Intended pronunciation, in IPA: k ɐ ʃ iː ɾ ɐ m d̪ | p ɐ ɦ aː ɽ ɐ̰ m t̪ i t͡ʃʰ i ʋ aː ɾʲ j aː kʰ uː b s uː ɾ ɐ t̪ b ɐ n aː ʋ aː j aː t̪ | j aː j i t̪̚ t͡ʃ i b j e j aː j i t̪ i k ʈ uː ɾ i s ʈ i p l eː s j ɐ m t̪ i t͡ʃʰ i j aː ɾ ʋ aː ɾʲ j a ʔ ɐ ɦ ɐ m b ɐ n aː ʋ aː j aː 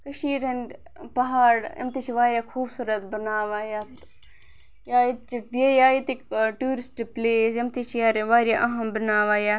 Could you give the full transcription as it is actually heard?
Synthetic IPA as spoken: k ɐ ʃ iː ɾ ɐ n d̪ | p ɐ ɦ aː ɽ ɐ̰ m t̪ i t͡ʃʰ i ʋ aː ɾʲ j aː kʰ uː b s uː ɾ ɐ t̪ b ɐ n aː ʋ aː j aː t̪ | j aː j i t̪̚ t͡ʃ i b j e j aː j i t̪ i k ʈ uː ɾ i s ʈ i p l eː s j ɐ m t̪ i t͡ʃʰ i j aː ɾ ʋ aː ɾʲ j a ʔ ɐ ɦ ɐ m b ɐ n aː ʋ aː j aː